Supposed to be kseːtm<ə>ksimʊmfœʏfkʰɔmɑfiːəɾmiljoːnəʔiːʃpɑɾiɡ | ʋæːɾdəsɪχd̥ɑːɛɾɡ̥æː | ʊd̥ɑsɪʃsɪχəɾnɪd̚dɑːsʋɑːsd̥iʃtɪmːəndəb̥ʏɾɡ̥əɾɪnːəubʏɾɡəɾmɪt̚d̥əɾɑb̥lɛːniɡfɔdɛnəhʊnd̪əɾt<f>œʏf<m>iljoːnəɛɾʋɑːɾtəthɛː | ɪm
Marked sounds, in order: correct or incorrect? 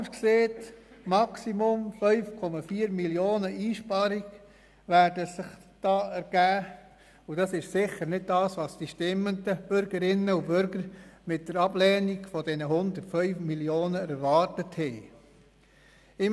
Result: incorrect: ɑ, correct, correct

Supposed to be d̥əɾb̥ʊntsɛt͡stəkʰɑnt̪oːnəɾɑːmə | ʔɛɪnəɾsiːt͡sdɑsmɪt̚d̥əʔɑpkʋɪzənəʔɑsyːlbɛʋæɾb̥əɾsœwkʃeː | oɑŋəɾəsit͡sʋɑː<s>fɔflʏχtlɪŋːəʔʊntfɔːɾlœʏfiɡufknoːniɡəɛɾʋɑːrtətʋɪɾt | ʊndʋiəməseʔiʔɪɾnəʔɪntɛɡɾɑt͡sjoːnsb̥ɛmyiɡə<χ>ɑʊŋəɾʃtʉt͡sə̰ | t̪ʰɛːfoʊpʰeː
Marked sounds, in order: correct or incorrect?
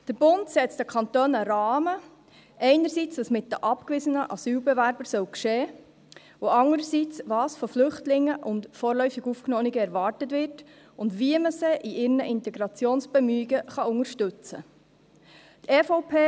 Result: correct, correct

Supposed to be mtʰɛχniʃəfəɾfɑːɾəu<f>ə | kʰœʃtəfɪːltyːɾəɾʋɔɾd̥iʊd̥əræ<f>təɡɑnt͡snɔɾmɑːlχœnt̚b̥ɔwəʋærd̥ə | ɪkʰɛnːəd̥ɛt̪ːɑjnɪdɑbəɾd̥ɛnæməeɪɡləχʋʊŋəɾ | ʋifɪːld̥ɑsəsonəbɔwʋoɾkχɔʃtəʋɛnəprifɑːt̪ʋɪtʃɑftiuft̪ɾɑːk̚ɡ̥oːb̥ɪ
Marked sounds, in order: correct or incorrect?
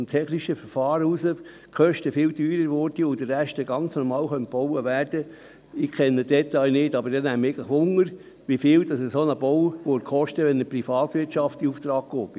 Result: incorrect: s, incorrect: ʃ

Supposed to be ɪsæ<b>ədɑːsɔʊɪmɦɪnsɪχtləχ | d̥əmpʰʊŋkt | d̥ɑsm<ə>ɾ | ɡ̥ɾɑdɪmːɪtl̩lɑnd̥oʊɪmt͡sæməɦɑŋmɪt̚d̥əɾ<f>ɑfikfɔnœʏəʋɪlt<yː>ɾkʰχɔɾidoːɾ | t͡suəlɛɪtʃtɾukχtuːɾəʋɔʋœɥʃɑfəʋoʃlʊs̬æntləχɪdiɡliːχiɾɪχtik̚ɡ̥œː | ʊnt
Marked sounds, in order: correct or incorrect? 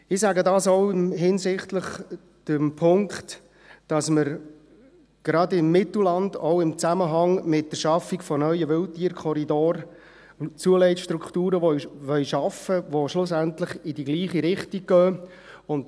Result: incorrect: ɡ, correct, incorrect: ʃ, incorrect: iː

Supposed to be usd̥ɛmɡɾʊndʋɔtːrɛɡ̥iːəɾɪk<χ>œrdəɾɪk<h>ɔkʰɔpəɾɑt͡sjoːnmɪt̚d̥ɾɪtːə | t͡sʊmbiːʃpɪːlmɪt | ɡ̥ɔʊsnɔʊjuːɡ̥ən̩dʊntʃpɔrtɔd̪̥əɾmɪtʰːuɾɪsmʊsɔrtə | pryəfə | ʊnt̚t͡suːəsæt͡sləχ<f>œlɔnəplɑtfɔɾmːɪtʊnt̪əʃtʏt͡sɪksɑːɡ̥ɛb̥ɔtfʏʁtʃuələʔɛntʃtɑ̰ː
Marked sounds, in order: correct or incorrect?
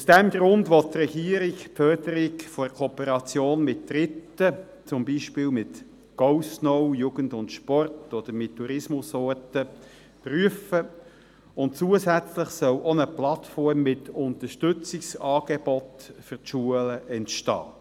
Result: incorrect: f, incorrect: f, incorrect: s

